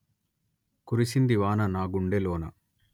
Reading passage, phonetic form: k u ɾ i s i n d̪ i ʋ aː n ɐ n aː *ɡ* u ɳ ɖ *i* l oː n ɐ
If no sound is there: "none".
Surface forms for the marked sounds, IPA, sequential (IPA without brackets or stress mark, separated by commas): ɡ, e